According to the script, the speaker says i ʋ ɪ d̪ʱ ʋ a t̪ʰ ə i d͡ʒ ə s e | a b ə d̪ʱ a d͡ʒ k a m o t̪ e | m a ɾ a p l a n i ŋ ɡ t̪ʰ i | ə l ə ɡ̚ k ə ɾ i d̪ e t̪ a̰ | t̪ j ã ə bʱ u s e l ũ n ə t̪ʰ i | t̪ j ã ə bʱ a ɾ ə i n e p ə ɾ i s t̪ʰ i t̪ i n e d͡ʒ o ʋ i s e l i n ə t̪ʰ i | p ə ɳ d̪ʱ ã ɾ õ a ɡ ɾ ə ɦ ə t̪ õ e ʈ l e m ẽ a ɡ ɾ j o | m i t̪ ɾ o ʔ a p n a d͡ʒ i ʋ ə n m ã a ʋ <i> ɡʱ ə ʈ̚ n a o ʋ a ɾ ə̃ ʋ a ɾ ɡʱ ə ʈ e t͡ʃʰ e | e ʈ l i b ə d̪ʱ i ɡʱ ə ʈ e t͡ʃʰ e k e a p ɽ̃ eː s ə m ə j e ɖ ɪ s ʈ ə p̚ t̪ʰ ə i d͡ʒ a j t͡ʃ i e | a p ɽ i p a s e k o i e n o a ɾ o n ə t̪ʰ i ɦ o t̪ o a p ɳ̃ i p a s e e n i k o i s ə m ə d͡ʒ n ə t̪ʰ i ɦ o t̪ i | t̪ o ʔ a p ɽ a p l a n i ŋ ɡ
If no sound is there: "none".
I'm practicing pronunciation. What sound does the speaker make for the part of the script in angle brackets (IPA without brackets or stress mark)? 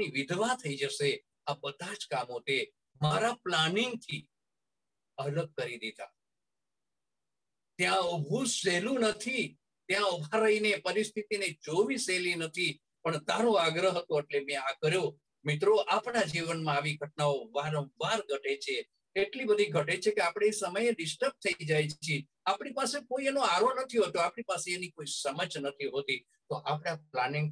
i